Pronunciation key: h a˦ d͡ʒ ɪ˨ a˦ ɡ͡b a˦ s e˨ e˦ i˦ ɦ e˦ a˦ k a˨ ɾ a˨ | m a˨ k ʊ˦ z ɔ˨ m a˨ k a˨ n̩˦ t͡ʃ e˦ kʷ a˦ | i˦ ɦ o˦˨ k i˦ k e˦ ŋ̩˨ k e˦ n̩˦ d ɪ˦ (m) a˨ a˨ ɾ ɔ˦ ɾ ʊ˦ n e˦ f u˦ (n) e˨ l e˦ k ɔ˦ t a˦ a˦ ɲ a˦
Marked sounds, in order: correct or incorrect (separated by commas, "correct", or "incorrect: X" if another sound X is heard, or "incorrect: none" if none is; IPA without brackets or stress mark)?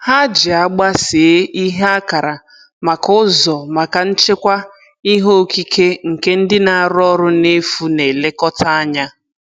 incorrect: n, correct